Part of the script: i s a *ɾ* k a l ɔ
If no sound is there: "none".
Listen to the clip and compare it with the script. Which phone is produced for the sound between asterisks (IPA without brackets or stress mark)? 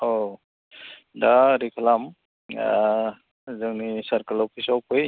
ɾ